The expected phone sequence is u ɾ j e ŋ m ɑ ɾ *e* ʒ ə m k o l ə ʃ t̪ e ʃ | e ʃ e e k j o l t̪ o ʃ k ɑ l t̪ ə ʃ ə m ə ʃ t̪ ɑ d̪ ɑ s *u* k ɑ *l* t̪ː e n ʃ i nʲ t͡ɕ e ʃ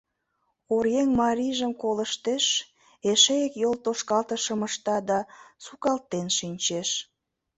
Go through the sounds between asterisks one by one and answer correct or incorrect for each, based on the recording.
incorrect: i, correct, correct

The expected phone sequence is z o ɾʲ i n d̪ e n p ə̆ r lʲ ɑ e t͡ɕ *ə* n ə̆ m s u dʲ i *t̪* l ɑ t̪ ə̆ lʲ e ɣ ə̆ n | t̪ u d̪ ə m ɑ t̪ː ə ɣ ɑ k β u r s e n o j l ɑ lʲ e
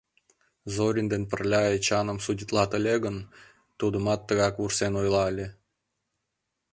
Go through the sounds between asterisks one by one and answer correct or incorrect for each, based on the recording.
incorrect: ɑ, correct

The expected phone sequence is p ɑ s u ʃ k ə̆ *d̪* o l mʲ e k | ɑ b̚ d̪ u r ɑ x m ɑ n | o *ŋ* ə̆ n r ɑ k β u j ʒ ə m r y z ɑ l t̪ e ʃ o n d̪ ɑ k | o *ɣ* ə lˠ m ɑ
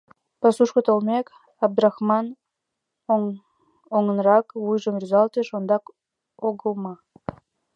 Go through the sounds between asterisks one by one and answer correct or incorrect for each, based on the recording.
incorrect: t̪, correct, correct

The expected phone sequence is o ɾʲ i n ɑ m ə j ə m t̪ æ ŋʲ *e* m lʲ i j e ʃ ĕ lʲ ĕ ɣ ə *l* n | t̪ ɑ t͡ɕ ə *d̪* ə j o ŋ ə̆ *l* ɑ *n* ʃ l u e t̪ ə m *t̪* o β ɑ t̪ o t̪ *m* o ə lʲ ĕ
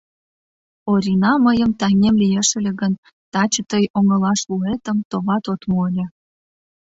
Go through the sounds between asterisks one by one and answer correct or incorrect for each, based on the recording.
correct, incorrect: none, incorrect: t̪, correct, incorrect: none, correct, correct

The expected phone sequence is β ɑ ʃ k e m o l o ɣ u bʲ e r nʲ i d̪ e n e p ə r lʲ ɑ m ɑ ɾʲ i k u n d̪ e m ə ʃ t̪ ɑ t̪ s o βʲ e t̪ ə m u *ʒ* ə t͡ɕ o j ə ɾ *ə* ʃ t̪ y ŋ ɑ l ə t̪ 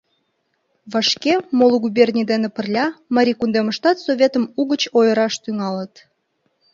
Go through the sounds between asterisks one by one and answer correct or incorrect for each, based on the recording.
incorrect: ɣ, incorrect: ɑ

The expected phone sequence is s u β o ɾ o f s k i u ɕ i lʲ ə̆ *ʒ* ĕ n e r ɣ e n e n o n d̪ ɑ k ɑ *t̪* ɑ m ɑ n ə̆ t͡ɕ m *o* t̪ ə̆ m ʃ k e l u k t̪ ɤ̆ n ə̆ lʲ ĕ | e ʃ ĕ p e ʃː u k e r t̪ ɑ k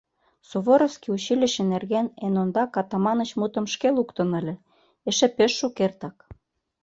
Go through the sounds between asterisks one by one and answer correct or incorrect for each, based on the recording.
incorrect: ʃ, correct, incorrect: u

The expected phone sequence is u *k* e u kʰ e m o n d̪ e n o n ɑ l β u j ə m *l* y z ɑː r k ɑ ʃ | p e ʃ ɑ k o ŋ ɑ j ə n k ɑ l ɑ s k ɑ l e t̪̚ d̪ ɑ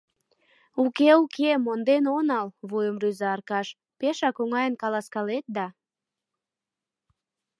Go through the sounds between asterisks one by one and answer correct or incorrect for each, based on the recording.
correct, incorrect: r

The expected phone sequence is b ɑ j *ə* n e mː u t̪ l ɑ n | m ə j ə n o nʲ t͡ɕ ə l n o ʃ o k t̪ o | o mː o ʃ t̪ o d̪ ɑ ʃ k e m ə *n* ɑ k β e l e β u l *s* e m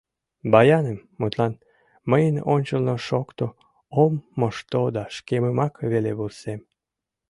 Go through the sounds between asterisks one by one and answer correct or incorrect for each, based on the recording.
incorrect: ɑ, incorrect: m, correct

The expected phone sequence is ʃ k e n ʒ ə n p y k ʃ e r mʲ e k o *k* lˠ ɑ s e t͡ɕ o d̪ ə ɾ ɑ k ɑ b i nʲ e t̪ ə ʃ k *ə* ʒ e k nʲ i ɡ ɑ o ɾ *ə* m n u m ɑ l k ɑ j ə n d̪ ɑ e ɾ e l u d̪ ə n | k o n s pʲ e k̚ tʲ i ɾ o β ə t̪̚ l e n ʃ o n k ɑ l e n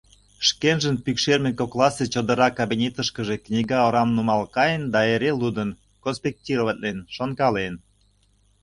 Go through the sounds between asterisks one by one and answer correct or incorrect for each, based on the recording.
correct, correct, incorrect: ɑ

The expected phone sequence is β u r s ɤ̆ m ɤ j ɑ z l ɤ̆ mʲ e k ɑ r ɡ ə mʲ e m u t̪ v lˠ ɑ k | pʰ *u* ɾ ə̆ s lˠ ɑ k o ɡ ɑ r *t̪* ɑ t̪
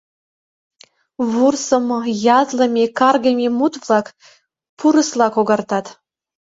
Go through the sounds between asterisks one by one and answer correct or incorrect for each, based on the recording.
correct, correct

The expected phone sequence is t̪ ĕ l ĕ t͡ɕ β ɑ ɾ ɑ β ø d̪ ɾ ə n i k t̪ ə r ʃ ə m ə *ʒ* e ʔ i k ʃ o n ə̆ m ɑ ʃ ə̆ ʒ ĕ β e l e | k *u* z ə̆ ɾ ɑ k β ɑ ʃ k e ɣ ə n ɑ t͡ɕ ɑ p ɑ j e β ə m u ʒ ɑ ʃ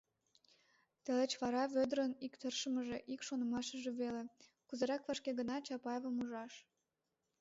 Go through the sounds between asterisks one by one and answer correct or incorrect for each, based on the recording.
correct, correct

